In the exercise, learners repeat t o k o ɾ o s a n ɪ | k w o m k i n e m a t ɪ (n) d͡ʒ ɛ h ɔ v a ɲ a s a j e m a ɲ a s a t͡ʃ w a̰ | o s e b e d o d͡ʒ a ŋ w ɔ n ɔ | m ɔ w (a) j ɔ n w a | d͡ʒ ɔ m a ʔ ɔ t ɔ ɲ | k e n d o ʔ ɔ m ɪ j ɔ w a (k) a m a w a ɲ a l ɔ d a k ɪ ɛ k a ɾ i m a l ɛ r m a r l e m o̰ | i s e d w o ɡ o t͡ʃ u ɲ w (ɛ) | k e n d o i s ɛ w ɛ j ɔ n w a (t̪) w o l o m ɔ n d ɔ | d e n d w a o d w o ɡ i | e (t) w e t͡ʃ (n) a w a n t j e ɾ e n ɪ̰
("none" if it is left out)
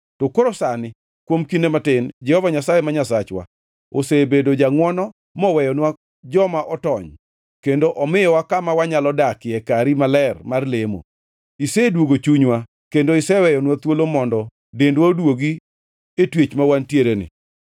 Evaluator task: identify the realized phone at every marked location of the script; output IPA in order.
n, ɛ, k, a, t̪, t, m

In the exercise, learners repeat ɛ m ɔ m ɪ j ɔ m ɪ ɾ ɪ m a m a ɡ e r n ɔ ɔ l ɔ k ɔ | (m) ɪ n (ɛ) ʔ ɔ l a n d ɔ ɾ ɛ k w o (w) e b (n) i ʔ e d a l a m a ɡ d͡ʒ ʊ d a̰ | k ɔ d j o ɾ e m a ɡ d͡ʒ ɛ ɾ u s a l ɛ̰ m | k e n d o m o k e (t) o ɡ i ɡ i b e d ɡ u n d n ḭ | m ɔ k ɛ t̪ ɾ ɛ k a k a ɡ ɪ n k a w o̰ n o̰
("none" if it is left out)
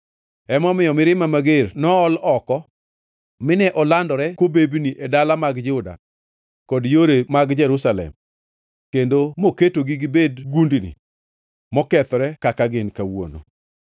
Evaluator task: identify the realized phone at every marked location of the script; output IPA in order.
m, ɛ, b, n, t

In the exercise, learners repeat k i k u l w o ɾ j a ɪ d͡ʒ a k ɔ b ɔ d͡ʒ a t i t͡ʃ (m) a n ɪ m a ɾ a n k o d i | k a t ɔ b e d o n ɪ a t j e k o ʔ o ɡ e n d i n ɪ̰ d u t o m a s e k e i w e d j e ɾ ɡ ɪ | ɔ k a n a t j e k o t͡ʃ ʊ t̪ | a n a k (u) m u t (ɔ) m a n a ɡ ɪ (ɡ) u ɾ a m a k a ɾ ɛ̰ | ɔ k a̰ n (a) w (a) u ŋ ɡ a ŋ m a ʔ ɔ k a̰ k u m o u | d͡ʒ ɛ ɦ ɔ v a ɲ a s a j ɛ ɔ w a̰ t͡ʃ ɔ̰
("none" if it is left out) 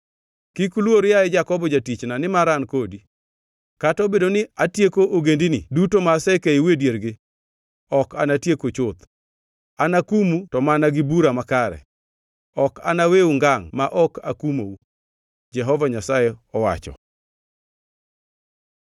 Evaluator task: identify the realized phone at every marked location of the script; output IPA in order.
n, u, ɔ, b, a, e

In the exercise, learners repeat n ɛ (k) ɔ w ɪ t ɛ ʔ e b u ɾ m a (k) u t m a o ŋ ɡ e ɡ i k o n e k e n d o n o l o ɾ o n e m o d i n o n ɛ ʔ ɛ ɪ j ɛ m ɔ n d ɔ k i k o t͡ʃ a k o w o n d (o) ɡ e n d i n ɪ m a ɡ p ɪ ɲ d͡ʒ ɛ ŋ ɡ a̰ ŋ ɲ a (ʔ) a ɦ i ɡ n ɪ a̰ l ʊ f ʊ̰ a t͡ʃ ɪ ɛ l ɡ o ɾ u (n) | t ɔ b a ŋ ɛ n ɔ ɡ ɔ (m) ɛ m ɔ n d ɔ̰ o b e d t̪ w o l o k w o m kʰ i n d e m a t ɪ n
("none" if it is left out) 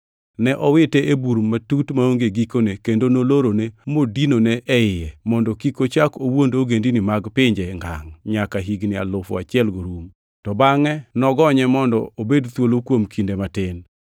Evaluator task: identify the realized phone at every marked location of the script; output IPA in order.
ʔ, t, o, k, m, ɲ

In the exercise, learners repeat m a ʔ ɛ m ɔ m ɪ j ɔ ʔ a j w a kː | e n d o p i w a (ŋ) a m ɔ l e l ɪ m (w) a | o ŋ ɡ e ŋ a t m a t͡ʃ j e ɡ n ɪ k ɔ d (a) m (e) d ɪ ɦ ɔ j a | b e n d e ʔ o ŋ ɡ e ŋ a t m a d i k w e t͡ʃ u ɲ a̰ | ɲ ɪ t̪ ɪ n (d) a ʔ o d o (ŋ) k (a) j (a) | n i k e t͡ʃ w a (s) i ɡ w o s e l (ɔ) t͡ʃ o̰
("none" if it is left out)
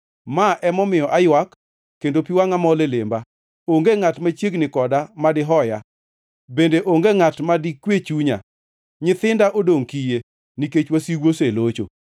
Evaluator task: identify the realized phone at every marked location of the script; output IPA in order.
ŋ, b, a, a, d, ŋ, i, e, s, o

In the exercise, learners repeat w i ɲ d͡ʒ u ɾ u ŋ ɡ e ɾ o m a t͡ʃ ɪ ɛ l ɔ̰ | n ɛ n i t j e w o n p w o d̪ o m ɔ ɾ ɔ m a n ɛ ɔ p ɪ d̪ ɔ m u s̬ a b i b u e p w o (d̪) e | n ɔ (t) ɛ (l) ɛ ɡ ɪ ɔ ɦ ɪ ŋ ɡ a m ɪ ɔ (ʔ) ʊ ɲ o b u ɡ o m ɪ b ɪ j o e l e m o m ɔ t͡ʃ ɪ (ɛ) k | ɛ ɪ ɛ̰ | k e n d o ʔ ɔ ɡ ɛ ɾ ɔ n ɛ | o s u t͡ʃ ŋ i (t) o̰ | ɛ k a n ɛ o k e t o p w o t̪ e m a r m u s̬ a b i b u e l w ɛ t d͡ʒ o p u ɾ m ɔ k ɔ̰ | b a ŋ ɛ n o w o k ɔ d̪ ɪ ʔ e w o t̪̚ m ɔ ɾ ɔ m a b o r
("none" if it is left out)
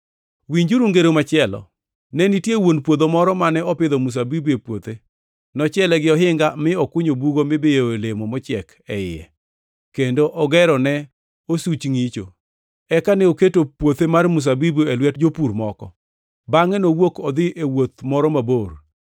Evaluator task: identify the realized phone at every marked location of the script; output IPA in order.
t̪, t͡ʃ, l, k, ɛ, t͡ʃ

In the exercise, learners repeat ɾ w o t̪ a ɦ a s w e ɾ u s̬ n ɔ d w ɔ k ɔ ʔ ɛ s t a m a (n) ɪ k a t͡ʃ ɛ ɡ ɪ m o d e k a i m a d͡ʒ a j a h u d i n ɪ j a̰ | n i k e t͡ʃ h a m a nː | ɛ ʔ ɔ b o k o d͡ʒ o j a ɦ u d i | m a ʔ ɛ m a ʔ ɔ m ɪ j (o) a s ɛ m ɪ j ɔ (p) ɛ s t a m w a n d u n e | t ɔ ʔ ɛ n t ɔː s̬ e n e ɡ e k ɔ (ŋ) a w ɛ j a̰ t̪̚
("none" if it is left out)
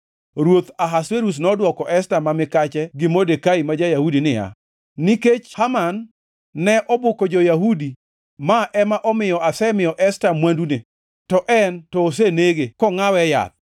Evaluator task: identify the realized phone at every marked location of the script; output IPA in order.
m, ɔ, ʔ, ŋ

